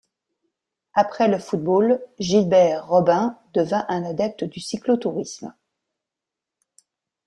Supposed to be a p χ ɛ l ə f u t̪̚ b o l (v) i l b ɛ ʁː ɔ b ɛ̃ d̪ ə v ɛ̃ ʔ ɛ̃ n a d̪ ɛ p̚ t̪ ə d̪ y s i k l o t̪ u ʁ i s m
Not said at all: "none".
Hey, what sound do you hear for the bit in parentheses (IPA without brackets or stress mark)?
ʒ